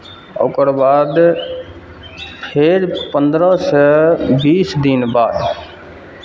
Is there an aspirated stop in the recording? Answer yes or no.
yes